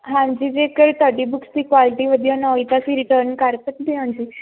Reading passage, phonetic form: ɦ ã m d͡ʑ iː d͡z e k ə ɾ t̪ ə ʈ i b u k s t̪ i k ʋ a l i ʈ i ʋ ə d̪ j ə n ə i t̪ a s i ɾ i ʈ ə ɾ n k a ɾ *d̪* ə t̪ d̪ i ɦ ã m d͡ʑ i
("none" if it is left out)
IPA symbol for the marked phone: t̪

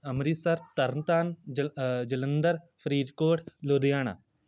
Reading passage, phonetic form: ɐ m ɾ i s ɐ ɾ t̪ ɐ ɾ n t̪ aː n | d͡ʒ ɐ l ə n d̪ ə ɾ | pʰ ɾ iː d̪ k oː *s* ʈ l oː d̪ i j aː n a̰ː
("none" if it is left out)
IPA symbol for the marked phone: none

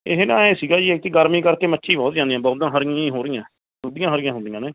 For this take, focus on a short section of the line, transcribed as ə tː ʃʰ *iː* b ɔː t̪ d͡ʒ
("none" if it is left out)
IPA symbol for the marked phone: iː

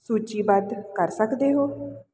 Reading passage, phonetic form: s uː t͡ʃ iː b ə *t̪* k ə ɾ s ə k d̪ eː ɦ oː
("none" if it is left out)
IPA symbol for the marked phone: d̪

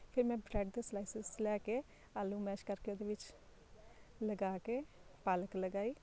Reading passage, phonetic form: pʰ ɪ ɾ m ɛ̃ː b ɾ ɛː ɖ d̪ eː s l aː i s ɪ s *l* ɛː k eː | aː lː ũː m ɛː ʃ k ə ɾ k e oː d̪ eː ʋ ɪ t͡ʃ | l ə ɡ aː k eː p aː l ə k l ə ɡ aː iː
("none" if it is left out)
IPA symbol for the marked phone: l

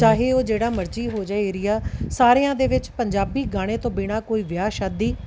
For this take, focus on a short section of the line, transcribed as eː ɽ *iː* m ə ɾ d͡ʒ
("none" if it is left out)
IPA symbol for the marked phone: aː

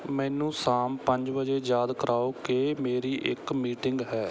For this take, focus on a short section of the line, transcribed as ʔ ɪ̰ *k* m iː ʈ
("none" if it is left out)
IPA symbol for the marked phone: k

